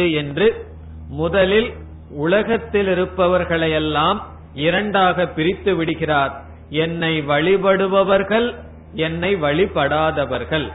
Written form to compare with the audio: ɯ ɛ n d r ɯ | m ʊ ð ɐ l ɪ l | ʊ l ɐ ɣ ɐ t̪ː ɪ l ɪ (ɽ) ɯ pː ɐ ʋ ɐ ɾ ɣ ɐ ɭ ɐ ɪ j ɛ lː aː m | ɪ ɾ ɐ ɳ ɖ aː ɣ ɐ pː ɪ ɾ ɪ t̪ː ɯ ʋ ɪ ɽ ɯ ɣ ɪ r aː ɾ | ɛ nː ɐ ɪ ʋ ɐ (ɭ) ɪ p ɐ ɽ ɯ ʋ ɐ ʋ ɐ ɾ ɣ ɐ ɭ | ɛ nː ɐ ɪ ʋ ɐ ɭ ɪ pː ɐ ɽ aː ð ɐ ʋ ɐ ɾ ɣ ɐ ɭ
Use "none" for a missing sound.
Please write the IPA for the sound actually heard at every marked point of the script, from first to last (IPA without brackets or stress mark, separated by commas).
ɾ, ɭ